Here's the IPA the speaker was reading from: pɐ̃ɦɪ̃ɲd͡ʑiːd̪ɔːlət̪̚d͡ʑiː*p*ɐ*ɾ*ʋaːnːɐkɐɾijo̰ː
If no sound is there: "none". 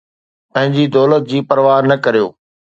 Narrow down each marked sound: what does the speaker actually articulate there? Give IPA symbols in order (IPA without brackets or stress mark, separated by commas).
p, ɾ